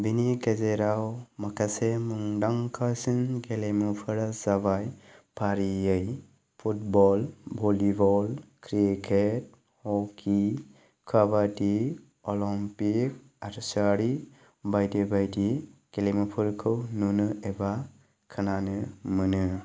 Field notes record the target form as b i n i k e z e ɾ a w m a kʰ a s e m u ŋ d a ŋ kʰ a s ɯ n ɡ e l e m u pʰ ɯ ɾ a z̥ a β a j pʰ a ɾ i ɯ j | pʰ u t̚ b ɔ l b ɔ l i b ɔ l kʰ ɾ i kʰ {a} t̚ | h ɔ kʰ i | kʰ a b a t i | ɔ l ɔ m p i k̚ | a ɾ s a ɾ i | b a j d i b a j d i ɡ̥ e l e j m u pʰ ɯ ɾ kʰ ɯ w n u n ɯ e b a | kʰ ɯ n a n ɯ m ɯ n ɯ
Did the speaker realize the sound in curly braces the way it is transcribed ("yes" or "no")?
no